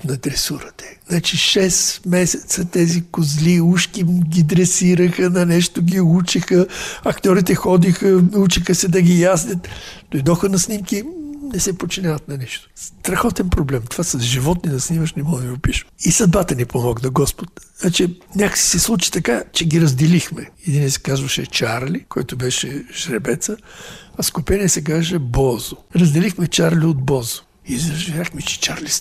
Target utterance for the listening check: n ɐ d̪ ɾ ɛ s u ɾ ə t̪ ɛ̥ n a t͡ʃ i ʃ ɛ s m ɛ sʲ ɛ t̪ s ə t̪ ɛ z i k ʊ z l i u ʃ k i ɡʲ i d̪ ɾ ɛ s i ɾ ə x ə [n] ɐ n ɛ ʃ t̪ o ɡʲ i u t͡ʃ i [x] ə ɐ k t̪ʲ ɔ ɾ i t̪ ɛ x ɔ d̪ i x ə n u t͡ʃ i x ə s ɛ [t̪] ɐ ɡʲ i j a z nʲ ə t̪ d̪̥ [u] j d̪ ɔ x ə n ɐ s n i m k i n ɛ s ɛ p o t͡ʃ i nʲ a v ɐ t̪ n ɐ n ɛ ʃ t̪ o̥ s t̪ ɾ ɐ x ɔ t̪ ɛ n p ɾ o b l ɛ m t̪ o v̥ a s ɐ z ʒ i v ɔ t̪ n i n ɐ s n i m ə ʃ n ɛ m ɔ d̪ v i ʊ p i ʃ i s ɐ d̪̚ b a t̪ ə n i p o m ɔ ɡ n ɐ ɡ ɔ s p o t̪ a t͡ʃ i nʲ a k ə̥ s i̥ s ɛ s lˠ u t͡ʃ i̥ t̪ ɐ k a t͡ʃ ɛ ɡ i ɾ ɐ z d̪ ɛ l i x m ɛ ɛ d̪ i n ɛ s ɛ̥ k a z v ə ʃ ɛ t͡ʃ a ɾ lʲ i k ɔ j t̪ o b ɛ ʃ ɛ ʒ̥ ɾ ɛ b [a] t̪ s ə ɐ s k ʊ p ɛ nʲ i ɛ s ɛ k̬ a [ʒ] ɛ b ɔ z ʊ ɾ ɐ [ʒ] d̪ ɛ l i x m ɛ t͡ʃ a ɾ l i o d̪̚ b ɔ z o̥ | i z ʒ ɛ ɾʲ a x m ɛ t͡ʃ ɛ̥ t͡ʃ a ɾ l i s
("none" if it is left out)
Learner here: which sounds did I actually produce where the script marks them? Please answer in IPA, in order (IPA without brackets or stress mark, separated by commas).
n, x, d̪, o, ɛ, ʒ, z